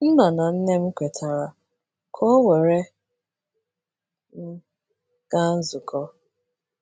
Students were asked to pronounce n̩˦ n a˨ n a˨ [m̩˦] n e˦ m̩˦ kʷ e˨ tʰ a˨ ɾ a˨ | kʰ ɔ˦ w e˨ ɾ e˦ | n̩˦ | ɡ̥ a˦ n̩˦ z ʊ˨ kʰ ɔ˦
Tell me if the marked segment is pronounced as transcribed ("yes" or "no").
no